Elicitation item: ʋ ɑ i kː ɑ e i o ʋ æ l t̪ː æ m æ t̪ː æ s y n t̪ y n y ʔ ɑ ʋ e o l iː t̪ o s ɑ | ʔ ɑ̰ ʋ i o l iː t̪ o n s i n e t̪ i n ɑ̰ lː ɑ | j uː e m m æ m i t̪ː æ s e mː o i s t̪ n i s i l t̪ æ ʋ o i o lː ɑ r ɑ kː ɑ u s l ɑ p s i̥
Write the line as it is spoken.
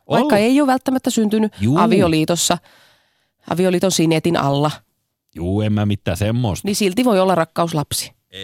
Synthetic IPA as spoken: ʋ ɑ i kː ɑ e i o ʋ æ l t̪ː æ m æ t̪ː æ s y n t̪ y n y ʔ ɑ ʋ i o l iː t̪ o sː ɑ | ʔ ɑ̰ ʋ i o l iː t̪ o n s i n e t̪ i n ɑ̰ lː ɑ | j uː e m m æ m i t̪ː æ s e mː o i s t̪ n i s i l t̪ i ʋ o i o lː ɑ r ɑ kː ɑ u s l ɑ p s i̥